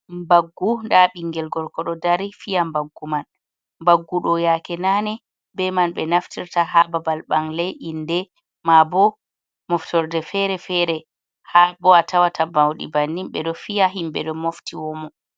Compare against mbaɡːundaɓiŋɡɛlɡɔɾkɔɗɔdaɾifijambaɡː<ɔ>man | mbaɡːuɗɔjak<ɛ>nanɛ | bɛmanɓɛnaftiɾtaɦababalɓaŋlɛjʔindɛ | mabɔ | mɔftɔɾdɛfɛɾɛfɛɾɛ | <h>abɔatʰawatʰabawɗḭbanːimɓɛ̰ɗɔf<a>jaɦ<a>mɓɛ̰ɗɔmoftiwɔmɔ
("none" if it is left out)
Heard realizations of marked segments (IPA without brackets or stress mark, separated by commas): u, ɛ, h, i, i